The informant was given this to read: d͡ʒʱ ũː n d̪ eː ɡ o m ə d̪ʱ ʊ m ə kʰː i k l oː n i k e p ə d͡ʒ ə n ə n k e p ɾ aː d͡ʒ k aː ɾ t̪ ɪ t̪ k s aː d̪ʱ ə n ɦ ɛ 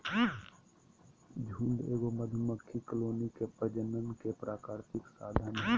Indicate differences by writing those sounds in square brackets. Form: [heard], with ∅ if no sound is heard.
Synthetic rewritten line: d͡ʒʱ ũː n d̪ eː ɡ o m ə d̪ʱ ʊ m ə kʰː i k l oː n i k e p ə d͡ʒ ə n ə n k e p ɾ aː [∅] k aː ɾ t̪ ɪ [∅] k s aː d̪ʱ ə n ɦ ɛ